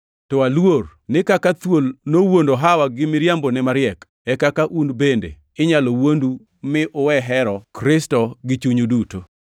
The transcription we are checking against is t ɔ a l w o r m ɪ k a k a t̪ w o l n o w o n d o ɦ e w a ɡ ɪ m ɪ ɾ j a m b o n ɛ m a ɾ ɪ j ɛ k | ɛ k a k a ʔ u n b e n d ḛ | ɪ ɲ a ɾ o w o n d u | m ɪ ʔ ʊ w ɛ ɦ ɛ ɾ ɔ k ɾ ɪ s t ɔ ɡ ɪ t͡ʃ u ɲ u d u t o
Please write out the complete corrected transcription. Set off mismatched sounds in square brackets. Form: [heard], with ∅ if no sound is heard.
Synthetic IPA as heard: t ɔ a l w o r [n] ɪ k a k a t̪ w o l n o w o n d o ɦ [a] w a ɡ ɪ m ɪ ɾ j a m b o n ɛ m a ɾ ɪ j ɛ k | ɛ k a k a ʔ u n b e n d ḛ | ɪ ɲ a [l] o w o n d u | m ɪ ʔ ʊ w ɛ ɦ ɛ ɾ ɔ k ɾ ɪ s t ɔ ɡ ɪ t͡ʃ u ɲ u d u t o

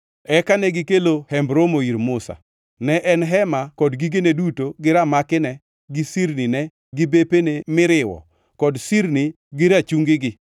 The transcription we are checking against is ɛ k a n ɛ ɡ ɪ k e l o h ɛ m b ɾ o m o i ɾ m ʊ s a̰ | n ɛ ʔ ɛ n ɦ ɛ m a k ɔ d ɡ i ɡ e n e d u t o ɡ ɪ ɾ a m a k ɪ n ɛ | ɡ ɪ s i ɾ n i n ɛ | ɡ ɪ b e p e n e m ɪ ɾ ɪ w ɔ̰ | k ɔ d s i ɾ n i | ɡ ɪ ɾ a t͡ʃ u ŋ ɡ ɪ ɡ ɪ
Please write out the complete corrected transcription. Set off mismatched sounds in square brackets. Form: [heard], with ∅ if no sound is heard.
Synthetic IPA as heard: ɛ k a n ɛ ɡ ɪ k e l o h ɛ m b ɾ o m o i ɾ m ʊ s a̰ | n ɛ ʔ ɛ n ɦ ɛ m a k ɔ d ɡ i ɡ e n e d u t o ɡ ɪ ɾ a m a k ɪ n ɛ | ɡ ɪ s i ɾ n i n ɛ | ɡ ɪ b e p e n e m ɪ ɾ ɪ w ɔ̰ | k ɔ d s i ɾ n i | ɡ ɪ ɾ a t͡ʃ u ŋ ɡ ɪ ɡ ɪ

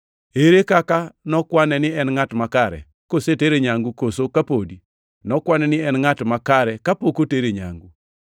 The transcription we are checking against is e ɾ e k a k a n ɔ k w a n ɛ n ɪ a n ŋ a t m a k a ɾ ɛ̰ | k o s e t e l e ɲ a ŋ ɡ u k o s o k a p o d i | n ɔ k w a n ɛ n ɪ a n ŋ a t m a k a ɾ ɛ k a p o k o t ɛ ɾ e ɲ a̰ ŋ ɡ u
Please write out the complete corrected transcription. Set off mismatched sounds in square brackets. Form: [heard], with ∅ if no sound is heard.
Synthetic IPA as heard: e ɾ e k a k a n ɔ k w a n ɛ n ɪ [ɛ] n ŋ a t m a k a ɾ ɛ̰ | k o s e t e [ɾ] e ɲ a ŋ ɡ u k o s o k a p o d i | n ɔ k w a n ɛ n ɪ [ɛ] n ŋ a t m a k a ɾ ɛ k a p o k o t [e] ɾ e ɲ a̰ ŋ ɡ u

